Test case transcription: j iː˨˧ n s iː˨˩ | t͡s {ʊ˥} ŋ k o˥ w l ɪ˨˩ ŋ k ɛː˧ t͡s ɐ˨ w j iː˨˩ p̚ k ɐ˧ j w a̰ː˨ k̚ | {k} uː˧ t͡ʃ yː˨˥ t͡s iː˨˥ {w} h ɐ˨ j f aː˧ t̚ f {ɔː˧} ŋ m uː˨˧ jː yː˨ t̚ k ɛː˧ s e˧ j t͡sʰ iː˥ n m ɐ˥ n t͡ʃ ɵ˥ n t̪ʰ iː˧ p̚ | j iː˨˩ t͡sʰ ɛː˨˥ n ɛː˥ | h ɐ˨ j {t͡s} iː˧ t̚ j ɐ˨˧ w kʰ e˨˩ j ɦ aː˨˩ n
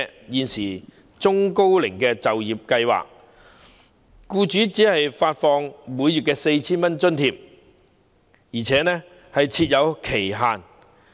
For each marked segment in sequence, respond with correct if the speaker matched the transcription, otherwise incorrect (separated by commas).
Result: correct, correct, incorrect, correct, incorrect